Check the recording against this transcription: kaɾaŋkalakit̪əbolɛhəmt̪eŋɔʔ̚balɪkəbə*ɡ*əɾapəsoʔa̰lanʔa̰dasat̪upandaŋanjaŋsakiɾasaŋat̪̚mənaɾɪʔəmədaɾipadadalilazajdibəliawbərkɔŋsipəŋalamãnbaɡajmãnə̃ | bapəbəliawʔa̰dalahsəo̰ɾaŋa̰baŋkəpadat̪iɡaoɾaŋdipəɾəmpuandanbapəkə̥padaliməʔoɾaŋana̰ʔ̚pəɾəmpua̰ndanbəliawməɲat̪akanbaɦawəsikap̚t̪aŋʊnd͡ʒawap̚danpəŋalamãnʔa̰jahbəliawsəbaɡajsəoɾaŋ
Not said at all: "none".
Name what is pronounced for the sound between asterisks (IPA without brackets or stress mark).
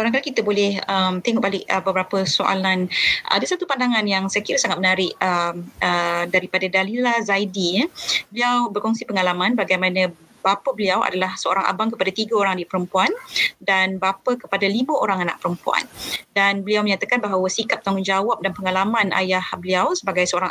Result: b